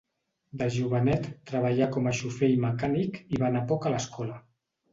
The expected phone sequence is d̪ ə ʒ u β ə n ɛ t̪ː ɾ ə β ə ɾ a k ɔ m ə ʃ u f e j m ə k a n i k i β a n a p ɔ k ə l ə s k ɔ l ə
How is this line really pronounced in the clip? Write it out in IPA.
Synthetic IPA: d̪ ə ʒ u β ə n ɛ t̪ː ɾ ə β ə ʎ a k ɔ m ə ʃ u f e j m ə k a n i k i β a n a p ɔ k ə l ə s k ɔ l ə